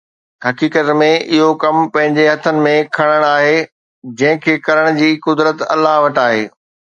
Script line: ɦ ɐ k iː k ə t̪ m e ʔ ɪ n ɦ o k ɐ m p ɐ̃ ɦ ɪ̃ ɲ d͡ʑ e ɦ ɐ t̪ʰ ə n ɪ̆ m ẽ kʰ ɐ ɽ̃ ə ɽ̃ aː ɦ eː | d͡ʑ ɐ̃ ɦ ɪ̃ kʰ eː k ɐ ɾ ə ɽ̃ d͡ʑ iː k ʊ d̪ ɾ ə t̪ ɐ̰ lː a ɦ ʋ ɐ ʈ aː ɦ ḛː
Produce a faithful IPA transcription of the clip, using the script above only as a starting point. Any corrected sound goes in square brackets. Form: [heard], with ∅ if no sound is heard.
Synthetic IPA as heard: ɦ ɐ k iː k ə t̪ m [ẽ] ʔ ɪ [∅] ɦ o k ɐ m p ɐ̃ ɦ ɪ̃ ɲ d͡ʑ e ɦ ɐ t̪ʰ ə n ɪ̆ m ẽ kʰ ɐ ɽ̃ ə ɽ̃ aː ɦ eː | d͡ʑ ɐ̃ ɦ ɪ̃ kʰ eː k ɐ ɾ ə ɽ̃ d͡ʑ iː k ʊ d̪ ɾ ə t̪ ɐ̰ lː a ɦ ʋ ɐ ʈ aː ɦ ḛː

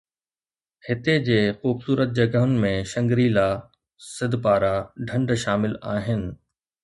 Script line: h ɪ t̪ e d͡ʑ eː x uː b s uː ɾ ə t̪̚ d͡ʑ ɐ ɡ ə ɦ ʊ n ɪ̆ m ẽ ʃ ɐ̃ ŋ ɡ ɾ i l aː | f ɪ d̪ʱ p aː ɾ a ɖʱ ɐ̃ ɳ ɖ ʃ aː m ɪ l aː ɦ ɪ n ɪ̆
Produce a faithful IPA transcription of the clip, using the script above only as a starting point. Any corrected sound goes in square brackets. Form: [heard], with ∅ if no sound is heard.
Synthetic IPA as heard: h ɪ t̪ e d͡ʑ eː x uː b s uː ɾ ə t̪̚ d͡ʑ ɐ ɡ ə ɦ ʊ n ɪ̆ m ẽ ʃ ɐ̃ ŋ ɡ ɾ i l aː | [s] ɪ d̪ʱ p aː ɾ a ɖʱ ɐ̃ ɳ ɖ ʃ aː m ɪ l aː ɦ ɪ n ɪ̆

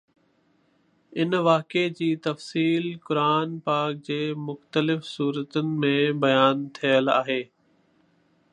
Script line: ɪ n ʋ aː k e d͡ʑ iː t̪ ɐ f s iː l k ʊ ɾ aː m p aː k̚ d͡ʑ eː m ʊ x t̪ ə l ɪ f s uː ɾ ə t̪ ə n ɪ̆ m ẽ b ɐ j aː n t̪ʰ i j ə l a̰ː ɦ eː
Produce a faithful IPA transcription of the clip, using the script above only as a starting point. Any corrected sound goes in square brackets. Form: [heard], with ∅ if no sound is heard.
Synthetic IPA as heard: ɪ n ʋ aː k e d͡ʑ iː t̪ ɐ f s iː l k ʊ ɾ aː [n] p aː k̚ d͡ʑ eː m ʊ x t̪ ə l ɪ f s uː ɾ ə t̪ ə n ɪ̆ m ẽ b ɐ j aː n t̪ʰ i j ə l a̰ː ɦ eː

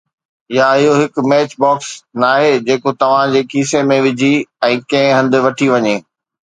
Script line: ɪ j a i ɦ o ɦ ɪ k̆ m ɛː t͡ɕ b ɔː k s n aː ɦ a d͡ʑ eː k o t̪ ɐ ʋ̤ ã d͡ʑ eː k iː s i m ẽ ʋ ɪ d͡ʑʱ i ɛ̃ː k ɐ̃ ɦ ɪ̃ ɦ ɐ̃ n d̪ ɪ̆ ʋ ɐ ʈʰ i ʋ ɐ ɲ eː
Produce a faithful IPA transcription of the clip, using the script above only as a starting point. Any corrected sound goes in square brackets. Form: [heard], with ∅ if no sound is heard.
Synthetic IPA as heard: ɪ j a [ɪ] ɦ o ɦ ɪ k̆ m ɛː t͡ɕ b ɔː k s n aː ɦ [e] d͡ʑ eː k o t̪ ɐ ʋ̤ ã d͡ʑ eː k iː s [e] m ẽ ʋ ɪ d͡ʑʱ i ɛ̃ː k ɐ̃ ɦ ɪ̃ ɦ ɐ̃ n d̪ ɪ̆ ʋ ɐ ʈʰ i ʋ ɐ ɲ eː

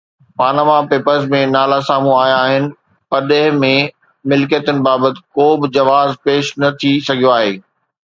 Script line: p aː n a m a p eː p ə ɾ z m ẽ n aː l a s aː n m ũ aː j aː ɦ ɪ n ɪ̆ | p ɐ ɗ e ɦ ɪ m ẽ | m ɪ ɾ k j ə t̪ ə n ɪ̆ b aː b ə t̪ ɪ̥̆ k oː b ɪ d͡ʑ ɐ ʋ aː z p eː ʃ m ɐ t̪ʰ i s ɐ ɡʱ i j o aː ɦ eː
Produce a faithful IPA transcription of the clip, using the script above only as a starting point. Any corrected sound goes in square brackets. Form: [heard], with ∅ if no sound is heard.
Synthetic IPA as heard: p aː n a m a p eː p ə ɾ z m ẽ n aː l a s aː [∅] m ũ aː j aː ɦ ɪ n ɪ̆ | p ɐ ɗ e ɦ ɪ m ẽ | m ɪ [l] k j ə t̪ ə n ɪ̆ b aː b ə t̪ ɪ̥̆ k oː b ɪ d͡ʑ ɐ ʋ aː z p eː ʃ [n] ɐ t̪ʰ i s ɐ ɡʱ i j o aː ɦ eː

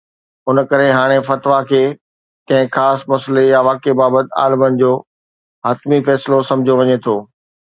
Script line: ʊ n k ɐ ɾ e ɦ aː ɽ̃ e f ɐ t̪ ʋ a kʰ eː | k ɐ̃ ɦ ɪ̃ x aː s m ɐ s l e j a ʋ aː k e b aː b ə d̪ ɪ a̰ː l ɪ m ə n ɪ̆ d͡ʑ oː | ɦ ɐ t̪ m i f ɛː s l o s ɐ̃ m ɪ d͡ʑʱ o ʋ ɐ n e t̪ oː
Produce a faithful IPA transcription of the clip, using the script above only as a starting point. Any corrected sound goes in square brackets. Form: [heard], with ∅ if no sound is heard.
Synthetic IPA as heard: ʊ n k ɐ ɾ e ɦ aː ɽ̃ e f ɐ t̪ ʋ a kʰ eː | k ɐ̃ ɦ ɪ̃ x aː s m ɐ s l e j a ʋ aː k e b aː b ə [t̪] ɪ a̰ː l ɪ m ə n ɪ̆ d͡ʑ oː | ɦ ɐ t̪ m i f ɛː s l o s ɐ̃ m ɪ d͡ʑʱ o ʋ ɐ [ɲ] e [t̪ʰ] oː

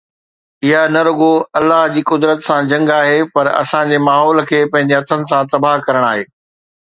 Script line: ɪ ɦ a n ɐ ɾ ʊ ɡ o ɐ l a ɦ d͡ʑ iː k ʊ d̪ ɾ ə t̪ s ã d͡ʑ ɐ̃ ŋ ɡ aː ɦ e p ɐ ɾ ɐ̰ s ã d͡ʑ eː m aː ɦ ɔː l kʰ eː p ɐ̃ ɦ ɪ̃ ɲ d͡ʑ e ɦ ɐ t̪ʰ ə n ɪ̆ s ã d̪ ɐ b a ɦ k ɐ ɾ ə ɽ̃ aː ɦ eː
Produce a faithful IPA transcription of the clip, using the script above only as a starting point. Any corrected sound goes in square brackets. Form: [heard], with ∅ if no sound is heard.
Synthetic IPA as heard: ɪ ɦ a n ɐ ɾ ʊ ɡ o ɐ [lː] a ɦ d͡ʑ iː k ʊ d̪ ɾ ə t̪ s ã d͡ʑ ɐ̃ ŋ ɡ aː ɦ e p ɐ ɾ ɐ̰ s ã d͡ʑ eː m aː ɦ ɔː l kʰ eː p ɐ̃ ɦ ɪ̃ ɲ d͡ʑ e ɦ ɐ t̪ʰ ə n ɪ̆ s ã [t̪] ɐ b a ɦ k ɐ ɾ ə ɽ̃ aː ɦ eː

